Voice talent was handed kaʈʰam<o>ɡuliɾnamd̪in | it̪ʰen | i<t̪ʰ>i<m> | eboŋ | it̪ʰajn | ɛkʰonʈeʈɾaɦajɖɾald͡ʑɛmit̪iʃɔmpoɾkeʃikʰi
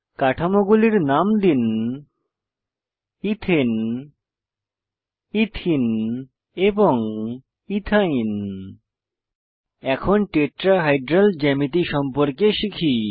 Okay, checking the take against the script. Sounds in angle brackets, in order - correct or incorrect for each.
correct, correct, incorrect

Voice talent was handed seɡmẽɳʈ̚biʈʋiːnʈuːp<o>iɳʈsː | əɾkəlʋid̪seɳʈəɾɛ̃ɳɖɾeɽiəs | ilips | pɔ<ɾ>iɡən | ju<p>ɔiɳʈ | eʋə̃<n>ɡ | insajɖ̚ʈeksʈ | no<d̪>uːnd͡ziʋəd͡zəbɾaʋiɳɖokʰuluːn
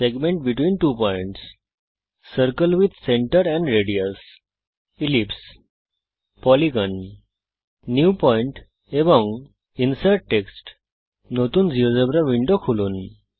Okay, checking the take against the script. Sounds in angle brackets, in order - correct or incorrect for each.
incorrect, incorrect, correct, incorrect, incorrect

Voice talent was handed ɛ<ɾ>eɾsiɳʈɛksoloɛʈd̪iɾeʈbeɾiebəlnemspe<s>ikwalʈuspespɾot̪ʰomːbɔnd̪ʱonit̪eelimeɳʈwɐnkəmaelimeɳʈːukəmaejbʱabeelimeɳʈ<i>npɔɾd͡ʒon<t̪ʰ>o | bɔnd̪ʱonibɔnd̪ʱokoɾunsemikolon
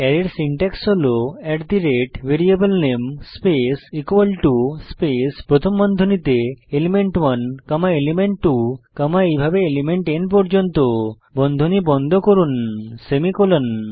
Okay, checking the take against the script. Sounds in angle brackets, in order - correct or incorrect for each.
correct, correct, incorrect, incorrect

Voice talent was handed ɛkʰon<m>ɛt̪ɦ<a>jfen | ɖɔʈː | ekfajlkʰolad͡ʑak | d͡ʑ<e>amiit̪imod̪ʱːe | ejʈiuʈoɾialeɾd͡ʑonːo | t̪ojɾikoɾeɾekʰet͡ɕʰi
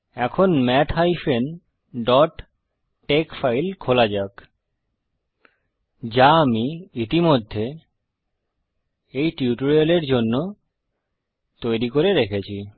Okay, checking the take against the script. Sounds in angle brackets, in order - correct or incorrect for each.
correct, correct, incorrect

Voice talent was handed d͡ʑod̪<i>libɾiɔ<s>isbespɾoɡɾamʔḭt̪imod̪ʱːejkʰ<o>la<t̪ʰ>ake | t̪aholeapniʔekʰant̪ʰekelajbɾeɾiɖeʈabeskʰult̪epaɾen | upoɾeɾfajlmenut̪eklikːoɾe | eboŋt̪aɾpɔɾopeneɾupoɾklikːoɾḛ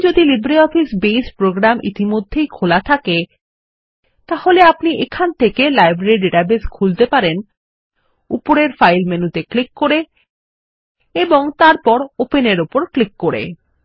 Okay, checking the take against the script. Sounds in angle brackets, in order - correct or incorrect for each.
correct, incorrect, correct, correct

